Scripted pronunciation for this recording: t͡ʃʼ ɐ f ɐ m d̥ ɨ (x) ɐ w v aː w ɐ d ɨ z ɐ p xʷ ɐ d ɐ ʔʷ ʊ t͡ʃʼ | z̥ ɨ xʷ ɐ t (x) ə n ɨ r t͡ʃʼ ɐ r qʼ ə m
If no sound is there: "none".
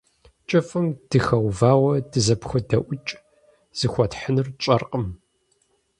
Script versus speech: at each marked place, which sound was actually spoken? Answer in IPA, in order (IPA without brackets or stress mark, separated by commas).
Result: x, ħ